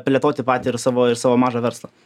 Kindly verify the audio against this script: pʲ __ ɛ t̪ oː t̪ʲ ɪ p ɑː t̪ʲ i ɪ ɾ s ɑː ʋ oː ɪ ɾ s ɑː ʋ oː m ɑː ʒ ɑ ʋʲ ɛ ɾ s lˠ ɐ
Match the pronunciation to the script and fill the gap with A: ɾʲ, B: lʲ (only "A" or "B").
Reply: B